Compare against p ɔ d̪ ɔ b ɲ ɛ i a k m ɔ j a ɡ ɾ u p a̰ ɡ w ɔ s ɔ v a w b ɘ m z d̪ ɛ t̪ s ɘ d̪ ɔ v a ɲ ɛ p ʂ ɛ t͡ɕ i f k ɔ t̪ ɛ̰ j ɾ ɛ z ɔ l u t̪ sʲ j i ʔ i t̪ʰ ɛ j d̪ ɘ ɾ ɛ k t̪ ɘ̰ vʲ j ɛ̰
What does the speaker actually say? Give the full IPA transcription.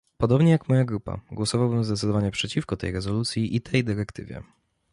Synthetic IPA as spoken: p ɔ d̪ ɔ b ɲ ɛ j a k m ɔ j a ɡ ɾ u p a̰ ɡ w ɔ s ɔ v a w b ɘ m z d̪ ɛ t̪ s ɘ d̪ ɔ v a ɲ ɛ p ʂ ɛ t͡ɕ i f k ɔ t̪ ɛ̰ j ɾ ɛ z ɔ l u t̪ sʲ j i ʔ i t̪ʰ ɛ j d̪ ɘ ɾ ɛ k t̪ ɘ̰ vʲ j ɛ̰